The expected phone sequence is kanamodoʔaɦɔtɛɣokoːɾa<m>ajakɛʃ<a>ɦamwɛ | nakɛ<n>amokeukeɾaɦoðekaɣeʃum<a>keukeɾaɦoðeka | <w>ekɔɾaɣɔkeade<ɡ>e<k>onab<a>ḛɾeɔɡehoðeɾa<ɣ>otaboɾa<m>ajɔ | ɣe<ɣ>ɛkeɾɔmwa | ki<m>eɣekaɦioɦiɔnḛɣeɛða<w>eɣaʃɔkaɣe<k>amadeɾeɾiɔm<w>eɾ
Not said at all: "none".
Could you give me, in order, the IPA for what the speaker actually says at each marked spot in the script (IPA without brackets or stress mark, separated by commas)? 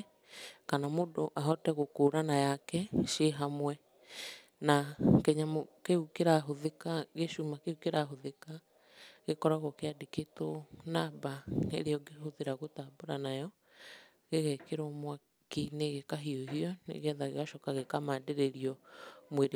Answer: n, e, ɲ, a, ɣ, k, t, a, ɣ, n, ɣ, n, ɣ, k, w